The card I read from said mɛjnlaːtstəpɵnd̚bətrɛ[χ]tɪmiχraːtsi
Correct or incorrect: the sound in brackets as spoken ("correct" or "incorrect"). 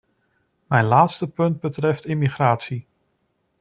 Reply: incorrect